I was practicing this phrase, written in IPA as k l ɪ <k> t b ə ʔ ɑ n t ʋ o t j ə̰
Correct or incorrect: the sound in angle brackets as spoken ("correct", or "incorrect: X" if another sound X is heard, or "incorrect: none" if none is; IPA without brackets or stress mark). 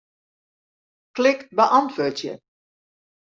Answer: correct